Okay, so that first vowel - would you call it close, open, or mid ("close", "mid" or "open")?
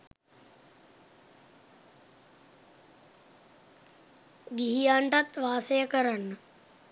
close